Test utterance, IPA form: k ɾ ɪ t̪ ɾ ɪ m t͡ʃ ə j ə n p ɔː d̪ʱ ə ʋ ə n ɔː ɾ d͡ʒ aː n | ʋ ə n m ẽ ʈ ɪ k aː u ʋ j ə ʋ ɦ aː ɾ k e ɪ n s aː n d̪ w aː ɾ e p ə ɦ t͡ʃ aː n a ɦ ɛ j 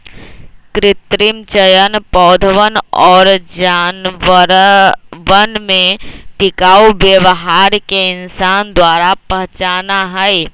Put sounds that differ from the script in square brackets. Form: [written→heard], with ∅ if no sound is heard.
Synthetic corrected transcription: k ɾ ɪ t̪ ɾ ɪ m t͡ʃ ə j ə n p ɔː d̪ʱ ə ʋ ə n ɔː ɾ d͡ʒ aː n | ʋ ə n m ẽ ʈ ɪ k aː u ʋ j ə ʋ ɦ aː ɾ k e ɪ n s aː n d̪ w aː ɾ [e→a] p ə ɦ t͡ʃ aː n a ɦ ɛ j